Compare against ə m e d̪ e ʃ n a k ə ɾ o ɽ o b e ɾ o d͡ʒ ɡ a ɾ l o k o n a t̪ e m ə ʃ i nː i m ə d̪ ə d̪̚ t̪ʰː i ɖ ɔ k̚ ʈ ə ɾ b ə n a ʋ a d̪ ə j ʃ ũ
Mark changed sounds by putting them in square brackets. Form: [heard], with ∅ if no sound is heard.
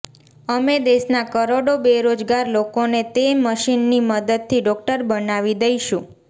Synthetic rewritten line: ə m e d̪ e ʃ n a k ə ɾ o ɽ o b e ɾ o d͡ʒ ɡ a ɾ l o k o n [e] t̪ e m ə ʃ i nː i m ə d̪ ə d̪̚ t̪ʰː i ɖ ɔ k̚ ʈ ə ɾ b ə n a ʋ [i] d̪ ə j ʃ ũ